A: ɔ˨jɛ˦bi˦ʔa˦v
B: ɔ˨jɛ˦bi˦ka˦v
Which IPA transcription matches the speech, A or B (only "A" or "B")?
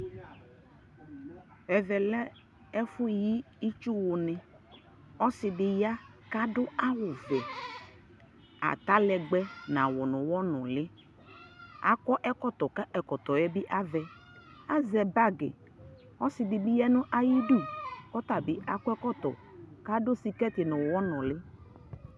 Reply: A